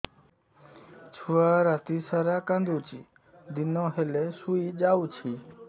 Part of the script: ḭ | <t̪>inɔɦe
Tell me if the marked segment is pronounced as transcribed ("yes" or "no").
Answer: no